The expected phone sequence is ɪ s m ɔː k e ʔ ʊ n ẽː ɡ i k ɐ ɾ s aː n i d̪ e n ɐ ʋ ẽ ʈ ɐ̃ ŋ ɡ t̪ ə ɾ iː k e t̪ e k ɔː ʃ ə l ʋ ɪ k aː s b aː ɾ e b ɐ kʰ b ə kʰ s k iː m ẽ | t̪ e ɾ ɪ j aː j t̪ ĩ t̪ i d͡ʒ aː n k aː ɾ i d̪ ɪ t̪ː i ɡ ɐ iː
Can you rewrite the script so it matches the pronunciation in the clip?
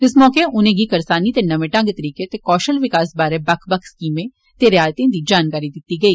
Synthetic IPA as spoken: ɪ s m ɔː k e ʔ ʊ n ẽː ɡ i k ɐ ɾ s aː n i t̪ e n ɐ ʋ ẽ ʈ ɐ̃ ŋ ɡ t̪ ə ɾ iː k e t̪ e k ɔː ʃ ə l ʋ ɪ k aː s b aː ɾ e b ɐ kʰ b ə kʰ s k iː m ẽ | t̪ e ɾ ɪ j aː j t̪ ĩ d̪ i d͡ʒ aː n k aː ɾ i d̪ ɪ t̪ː i ɡ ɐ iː